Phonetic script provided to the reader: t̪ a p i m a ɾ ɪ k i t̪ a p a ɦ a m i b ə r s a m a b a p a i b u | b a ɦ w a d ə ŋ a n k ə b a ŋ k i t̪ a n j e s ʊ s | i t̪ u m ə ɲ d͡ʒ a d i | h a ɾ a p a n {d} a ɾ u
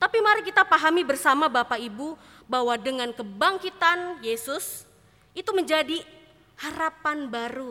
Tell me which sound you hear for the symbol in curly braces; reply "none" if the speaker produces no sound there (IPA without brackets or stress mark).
b